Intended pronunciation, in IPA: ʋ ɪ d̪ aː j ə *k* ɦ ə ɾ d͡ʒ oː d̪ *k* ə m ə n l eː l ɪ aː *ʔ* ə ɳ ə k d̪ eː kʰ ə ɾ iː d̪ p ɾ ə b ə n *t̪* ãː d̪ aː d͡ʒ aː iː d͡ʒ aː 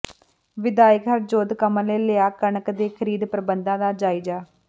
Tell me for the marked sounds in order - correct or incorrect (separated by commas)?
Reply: correct, correct, incorrect, incorrect